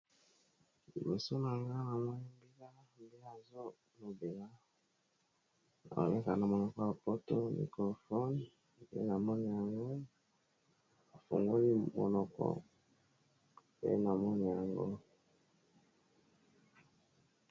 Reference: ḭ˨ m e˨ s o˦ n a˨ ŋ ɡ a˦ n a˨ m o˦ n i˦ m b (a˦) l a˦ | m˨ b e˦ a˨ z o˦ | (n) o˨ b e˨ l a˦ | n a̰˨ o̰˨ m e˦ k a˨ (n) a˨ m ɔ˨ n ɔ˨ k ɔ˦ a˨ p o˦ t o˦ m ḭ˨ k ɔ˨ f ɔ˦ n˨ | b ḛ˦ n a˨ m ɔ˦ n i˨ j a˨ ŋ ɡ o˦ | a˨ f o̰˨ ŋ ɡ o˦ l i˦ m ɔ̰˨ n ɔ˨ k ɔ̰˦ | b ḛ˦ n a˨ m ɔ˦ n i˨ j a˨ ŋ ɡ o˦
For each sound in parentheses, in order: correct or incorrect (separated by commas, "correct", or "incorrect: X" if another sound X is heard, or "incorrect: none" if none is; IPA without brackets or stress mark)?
incorrect: i˦, correct, correct